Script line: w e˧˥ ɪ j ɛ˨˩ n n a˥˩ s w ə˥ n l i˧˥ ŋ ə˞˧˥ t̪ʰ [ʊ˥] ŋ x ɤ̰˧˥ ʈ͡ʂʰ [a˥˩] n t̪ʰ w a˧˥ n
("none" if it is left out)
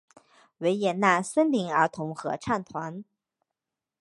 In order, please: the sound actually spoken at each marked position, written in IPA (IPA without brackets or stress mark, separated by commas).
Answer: ʊ˧˥, a˥˩